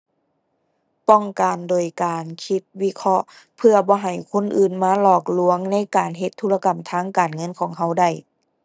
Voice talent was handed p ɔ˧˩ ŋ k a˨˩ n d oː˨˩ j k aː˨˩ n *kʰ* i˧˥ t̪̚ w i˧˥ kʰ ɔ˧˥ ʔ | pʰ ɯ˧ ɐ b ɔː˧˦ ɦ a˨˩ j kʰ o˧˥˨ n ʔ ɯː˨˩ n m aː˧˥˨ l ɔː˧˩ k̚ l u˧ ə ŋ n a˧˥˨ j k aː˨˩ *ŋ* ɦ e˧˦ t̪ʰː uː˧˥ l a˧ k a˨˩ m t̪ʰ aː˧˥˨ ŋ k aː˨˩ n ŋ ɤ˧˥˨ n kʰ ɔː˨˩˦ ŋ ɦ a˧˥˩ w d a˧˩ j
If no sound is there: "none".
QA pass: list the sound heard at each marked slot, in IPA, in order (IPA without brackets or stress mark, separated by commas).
kʰ, n